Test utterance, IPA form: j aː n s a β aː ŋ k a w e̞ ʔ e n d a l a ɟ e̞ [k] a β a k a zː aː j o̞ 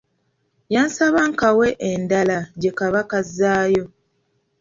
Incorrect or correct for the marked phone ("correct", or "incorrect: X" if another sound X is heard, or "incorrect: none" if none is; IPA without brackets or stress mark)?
correct